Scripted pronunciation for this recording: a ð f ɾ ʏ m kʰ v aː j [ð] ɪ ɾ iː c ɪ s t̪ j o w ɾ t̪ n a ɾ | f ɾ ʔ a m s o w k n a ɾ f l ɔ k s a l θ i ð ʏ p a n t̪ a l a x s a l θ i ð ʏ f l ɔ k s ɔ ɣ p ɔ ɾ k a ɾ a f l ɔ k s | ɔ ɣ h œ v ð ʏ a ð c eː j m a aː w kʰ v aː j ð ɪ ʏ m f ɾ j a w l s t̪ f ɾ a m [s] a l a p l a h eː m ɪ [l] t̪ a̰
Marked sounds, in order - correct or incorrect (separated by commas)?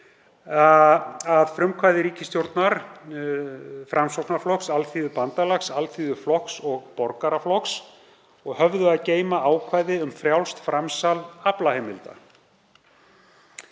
correct, correct, correct